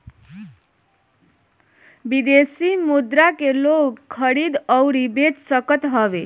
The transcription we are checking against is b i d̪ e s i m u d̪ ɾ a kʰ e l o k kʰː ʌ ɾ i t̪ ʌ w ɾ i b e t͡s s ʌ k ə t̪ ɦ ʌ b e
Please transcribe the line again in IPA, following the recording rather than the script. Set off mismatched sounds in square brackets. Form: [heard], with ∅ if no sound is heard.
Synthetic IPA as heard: b i d̪ e s i m u d̪ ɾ a [k] e l o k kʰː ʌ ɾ i [d̪] ʌ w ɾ i b e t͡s s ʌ k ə t̪ ɦ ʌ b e